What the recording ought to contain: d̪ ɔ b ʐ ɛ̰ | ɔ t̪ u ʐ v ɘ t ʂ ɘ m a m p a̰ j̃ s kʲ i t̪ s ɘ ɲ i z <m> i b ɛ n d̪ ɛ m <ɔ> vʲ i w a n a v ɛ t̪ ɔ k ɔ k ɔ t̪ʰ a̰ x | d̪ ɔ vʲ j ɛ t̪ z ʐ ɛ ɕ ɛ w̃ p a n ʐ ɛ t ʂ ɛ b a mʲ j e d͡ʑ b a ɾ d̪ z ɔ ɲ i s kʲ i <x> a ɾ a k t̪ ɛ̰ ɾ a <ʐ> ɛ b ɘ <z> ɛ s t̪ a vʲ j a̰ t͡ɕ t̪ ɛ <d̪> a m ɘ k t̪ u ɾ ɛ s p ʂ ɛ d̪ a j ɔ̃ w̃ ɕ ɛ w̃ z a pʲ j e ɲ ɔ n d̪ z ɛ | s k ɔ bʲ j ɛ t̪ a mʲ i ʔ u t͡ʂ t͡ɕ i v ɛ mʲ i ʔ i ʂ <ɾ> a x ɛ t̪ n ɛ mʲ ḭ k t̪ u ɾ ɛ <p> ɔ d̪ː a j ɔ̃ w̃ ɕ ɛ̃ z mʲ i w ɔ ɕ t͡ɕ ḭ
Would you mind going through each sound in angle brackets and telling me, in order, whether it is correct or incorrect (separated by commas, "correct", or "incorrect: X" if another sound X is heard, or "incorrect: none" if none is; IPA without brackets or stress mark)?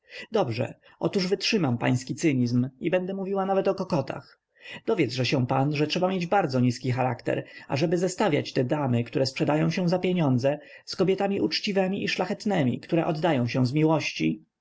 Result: correct, incorrect: u, correct, correct, correct, correct, incorrect: l, incorrect: ʔ